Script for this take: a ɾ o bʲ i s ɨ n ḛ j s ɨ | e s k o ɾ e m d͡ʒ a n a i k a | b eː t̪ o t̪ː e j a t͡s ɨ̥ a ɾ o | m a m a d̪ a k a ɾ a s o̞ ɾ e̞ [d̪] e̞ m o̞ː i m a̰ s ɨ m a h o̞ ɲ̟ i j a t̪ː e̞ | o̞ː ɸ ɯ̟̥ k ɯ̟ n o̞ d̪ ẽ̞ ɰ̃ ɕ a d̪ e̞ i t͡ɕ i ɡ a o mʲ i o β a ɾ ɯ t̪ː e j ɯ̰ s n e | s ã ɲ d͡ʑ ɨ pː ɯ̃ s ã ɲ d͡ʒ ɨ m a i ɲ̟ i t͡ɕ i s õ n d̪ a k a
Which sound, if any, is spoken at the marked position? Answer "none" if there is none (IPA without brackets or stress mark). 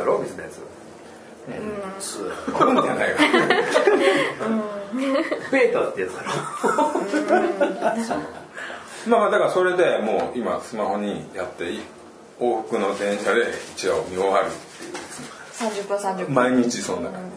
d̪